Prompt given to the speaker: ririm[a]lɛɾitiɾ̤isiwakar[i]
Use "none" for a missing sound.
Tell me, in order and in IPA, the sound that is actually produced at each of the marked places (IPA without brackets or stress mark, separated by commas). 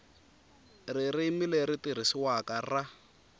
i, a